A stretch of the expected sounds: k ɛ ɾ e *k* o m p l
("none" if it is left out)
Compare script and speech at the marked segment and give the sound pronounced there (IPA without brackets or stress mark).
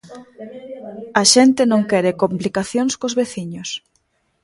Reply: k